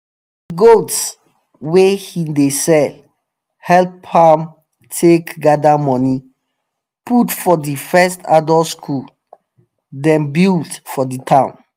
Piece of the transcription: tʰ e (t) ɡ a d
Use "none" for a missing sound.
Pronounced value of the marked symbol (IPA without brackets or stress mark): k